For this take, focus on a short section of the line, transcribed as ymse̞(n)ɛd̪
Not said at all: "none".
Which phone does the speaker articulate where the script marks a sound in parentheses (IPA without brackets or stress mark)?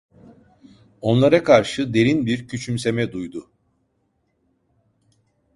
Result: m